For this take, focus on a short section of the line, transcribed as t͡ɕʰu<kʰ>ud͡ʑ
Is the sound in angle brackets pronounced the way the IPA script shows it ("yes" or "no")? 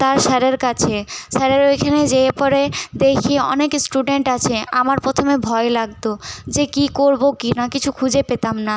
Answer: yes